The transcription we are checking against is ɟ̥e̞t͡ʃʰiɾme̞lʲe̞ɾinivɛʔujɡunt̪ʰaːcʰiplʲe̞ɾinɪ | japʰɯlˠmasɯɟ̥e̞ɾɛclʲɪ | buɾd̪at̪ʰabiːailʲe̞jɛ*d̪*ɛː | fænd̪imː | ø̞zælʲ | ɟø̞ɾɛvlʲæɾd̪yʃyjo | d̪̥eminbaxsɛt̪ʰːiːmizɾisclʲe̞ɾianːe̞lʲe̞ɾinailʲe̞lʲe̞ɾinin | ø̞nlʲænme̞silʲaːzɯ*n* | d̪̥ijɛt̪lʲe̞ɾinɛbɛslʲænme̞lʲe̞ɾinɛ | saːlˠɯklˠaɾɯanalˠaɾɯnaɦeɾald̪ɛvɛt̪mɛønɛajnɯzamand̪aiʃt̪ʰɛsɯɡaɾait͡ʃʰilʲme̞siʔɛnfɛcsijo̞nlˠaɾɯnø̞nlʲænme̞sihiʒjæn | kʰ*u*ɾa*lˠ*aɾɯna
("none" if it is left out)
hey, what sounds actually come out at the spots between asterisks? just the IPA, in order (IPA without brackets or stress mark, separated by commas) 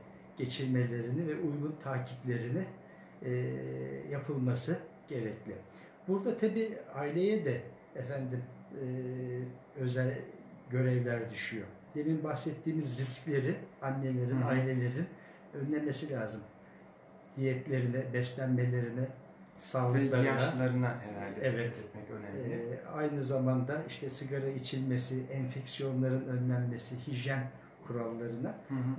d̪, m, u, lˠː